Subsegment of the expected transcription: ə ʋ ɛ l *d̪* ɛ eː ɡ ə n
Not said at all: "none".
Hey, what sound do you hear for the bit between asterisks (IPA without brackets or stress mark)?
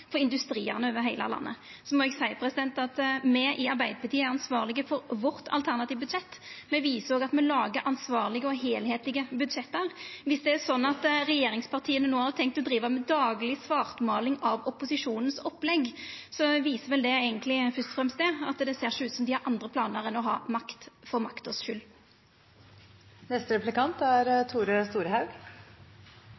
d̪